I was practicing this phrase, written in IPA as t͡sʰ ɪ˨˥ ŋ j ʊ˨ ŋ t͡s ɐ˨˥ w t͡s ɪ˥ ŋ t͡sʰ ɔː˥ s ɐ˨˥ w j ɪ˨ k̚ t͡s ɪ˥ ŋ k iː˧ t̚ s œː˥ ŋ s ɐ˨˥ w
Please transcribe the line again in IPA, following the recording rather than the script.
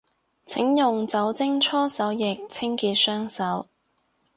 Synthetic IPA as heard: t͡sʰ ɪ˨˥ ŋ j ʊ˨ ŋ t͡s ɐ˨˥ w t͡s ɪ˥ ŋ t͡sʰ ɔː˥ s ɐ˨˥ w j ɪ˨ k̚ t͡sʰ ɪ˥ ŋ k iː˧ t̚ s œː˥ ŋ s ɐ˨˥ w